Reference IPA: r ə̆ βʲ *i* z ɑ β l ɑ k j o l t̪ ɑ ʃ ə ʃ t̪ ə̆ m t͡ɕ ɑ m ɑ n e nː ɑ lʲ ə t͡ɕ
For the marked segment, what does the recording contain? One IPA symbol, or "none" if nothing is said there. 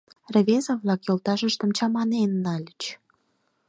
e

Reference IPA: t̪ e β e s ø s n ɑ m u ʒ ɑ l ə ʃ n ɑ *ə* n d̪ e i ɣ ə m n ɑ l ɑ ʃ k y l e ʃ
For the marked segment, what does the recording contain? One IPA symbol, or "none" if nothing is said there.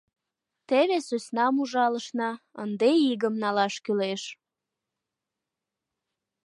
ə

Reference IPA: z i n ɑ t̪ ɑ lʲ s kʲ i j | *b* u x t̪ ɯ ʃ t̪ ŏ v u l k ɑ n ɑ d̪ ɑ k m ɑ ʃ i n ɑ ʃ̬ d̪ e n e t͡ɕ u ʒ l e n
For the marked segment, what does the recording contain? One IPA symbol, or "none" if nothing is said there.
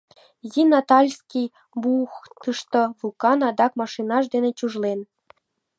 b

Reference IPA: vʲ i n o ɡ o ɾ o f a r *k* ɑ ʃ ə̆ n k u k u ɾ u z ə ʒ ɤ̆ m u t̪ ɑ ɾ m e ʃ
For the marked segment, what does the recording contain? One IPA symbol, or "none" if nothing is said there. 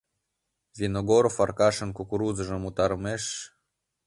k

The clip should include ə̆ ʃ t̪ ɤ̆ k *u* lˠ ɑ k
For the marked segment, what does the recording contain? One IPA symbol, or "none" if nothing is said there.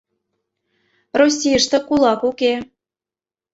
u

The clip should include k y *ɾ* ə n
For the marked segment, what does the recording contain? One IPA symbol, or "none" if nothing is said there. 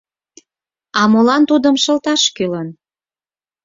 l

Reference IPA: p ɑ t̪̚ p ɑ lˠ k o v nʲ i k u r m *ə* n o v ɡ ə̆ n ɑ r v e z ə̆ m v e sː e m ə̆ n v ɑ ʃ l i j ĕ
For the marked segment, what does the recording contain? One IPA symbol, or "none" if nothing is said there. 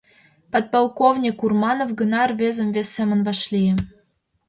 ɑ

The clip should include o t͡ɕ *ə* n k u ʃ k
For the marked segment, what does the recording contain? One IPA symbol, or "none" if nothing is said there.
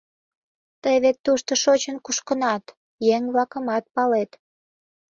ə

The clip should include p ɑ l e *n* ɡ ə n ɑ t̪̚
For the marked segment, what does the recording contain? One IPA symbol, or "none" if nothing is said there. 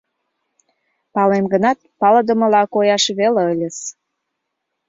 m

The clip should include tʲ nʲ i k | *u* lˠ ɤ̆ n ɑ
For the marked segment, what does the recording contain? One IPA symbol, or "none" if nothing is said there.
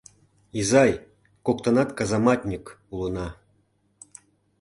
u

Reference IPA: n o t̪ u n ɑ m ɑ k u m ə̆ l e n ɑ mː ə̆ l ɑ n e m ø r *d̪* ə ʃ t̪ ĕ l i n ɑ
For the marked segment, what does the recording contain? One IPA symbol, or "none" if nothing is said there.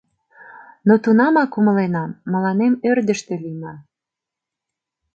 d̪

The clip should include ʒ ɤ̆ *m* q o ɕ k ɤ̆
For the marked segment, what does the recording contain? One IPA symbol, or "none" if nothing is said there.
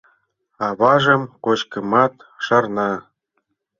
m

